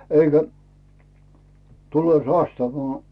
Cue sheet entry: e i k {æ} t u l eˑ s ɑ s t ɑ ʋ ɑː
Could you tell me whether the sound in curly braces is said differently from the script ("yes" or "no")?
no